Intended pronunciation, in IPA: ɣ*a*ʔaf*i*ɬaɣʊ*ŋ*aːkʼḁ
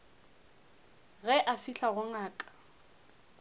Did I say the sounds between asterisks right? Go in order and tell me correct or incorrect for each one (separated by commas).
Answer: incorrect, correct, correct